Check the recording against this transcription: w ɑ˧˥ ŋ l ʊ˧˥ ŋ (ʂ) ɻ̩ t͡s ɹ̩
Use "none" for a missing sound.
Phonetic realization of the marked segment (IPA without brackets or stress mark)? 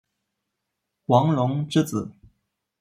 ʈ͡ʂ